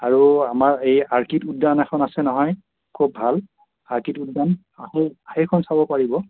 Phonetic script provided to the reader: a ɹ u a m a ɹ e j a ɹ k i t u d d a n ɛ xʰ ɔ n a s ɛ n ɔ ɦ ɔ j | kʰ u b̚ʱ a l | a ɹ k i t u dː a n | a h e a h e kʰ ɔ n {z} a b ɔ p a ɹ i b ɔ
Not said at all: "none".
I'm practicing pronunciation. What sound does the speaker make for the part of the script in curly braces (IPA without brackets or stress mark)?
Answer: s